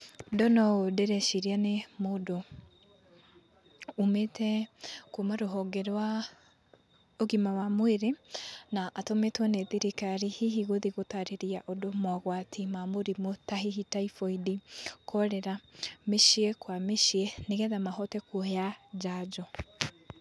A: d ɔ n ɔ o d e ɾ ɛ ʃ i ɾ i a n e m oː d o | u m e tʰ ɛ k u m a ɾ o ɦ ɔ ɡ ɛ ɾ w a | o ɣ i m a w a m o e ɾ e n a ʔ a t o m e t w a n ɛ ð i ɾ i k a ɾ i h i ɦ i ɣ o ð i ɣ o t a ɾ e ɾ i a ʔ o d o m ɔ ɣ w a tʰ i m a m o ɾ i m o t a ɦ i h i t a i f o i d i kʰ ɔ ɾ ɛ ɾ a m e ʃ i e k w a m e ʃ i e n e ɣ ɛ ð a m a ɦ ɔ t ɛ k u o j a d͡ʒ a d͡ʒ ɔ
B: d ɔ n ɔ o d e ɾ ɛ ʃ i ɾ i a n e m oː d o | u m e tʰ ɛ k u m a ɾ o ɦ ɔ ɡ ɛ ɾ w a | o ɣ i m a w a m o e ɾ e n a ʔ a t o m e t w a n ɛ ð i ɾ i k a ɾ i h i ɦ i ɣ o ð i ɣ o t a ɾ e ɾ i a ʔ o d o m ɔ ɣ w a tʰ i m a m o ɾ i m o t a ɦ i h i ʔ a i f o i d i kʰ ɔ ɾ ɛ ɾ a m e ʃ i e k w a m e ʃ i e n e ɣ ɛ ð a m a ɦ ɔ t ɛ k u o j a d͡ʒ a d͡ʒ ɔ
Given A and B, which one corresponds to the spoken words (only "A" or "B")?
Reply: A